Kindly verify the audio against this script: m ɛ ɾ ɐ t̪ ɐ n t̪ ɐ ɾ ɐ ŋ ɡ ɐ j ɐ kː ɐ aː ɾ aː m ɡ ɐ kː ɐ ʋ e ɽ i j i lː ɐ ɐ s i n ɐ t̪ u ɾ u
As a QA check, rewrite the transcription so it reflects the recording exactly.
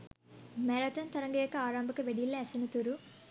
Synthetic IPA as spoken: m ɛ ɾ ɐ t̪ ɐ n t̪ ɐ ɾ ɐ ŋ ɡ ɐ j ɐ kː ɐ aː ɾ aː m b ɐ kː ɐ ʋ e ɽ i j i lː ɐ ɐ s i n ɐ t̪ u ɾ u